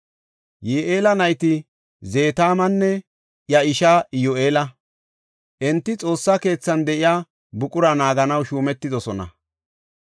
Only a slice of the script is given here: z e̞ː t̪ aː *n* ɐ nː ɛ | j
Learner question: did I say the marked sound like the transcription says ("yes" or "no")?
no